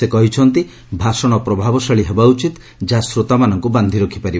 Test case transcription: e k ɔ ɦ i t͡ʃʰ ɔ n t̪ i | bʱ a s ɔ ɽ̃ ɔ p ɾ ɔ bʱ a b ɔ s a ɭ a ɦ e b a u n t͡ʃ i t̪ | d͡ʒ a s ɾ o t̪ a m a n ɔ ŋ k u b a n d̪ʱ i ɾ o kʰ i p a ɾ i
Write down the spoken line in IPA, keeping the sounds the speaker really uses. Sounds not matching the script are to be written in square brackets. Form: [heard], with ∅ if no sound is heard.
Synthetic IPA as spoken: e k ɔ ɦ i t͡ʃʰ ɔ n t̪ i | bʱ a s ɔ ɽ̃ ɔ p ɾ ɔ bʱ a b ɔ s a ɭ [i] ɦ e b a u [∅] t͡ʃ i t̪ | d͡ʒ a s ɾ o t̪ a m a n ɔ ŋ k u b a n d̪ʱ i ɾ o kʰ i p a ɾ i